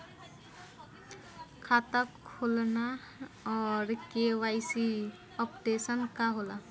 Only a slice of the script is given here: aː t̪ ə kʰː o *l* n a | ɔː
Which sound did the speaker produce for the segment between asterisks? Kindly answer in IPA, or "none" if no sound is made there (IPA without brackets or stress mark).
l